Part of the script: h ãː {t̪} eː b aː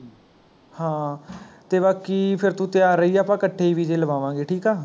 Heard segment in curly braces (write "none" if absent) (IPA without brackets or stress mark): t̪